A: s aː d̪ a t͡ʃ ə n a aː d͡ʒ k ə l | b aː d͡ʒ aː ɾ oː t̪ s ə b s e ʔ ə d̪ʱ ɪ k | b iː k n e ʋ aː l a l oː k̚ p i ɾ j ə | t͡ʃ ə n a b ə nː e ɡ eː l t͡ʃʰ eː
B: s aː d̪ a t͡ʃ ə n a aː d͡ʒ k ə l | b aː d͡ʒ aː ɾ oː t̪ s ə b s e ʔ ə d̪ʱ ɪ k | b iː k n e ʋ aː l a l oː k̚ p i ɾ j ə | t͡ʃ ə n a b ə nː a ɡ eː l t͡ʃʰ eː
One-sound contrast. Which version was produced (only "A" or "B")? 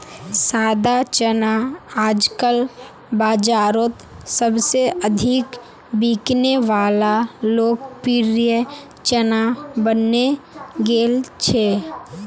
A